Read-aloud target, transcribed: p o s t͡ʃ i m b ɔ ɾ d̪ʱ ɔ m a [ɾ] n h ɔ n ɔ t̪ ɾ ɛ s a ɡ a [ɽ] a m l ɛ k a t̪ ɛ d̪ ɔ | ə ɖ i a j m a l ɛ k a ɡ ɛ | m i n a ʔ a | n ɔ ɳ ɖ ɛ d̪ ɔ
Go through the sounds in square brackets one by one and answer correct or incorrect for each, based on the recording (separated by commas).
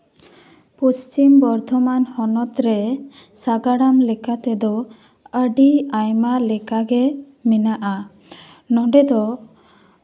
incorrect, correct